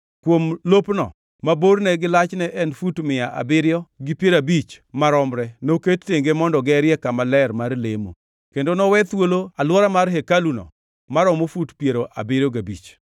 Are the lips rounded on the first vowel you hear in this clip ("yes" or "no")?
yes